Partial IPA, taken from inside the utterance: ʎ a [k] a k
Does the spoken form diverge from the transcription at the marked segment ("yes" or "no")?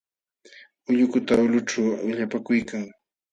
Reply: yes